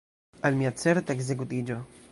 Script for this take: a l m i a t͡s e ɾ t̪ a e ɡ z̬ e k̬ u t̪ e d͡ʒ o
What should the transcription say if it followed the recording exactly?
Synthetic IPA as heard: a l m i a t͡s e ɾ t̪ a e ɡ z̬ e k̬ u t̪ i d͡ʒ o